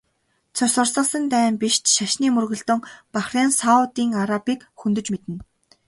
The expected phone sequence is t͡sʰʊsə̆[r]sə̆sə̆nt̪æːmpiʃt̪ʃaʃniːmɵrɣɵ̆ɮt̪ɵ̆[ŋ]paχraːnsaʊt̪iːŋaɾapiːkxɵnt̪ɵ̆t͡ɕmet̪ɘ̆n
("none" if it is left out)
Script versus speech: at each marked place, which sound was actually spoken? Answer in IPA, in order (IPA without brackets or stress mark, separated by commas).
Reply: r, ŋ